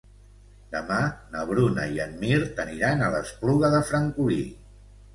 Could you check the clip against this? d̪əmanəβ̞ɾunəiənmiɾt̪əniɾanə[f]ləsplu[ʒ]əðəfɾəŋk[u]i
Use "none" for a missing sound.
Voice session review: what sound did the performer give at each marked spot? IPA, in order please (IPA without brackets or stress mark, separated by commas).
none, ɣ, u